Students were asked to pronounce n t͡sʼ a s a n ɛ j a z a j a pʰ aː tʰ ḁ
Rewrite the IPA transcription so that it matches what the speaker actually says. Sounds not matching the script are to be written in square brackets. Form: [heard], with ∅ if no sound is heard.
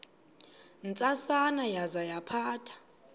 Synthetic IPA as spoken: n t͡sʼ a s a n [a] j a z a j a pʰ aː tʰ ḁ